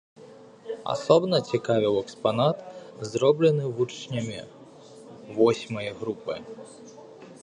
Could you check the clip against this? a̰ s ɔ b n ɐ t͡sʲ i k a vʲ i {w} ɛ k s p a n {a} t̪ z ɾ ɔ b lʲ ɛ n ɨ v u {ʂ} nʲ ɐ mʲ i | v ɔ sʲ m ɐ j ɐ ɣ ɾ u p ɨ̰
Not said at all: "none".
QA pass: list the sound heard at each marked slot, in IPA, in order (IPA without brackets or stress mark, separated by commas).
w, a, t͡ʂ